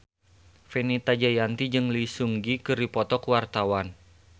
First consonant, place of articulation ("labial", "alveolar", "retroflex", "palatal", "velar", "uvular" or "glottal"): labial